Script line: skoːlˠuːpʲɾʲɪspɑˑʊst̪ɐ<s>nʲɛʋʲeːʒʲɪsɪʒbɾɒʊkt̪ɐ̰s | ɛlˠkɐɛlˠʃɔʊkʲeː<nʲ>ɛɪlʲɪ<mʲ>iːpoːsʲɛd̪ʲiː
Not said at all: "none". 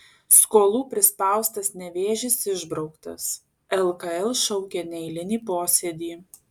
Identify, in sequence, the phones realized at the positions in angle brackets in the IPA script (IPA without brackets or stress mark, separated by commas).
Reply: s, nʲ, nʲ